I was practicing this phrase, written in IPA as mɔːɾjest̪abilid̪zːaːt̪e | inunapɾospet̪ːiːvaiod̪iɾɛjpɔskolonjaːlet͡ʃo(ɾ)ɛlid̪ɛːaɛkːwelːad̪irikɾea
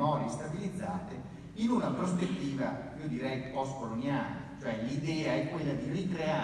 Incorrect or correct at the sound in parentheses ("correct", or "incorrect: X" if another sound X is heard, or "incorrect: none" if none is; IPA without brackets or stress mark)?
incorrect: none